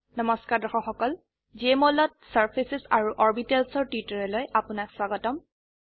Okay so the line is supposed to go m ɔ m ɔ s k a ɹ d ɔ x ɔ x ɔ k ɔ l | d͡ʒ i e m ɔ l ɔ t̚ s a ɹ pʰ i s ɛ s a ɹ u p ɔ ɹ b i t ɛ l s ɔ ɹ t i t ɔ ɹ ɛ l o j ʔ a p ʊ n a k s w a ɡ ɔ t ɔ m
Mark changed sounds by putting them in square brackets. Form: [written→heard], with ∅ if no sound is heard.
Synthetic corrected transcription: [m→n] ɔ m ɔ s k a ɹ d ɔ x ɔ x ɔ k ɔ l | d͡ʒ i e m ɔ l ɔ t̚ s a ɹ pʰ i s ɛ s a ɹ u [p→ʔ] ɔ ɹ b i t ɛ l s ɔ ɹ t i t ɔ ɹ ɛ l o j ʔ a p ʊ n a k s w a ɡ ɔ t ɔ m